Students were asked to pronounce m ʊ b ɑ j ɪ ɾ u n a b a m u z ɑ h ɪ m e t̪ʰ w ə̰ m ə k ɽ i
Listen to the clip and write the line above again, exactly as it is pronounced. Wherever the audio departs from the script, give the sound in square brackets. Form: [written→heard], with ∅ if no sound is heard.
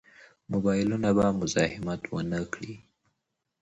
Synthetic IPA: m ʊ b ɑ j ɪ [ɾ→l] u n a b a m [u→ʊ] z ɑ h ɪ m [e→a] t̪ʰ w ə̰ [m→n] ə k ɽ i